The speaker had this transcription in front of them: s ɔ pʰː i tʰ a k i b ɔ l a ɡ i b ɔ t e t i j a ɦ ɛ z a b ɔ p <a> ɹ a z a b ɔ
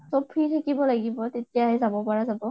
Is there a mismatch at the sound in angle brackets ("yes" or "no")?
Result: no